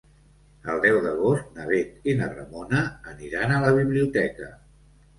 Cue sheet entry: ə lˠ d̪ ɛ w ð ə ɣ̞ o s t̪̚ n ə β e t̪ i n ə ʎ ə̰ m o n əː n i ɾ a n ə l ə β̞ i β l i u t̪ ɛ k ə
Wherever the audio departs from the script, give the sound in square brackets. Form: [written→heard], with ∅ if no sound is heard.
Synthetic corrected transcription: ə lˠ d̪ ɛ w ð ə ɣ̞ o s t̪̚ n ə β e t̪ i n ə [ʎ→r] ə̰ m o n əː n i ɾ a n ə l ə β̞ i β l i u t̪ ɛ k ə

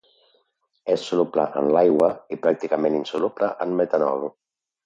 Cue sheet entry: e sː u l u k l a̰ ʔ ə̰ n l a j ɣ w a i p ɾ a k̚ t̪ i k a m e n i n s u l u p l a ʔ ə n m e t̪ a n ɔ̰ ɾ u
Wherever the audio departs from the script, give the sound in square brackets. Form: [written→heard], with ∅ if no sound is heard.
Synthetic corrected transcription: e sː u l u [k→p] l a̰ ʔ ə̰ n l a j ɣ w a i p ɾ a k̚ t̪ i k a m e n i n s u l u p l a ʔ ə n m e t̪ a n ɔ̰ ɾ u

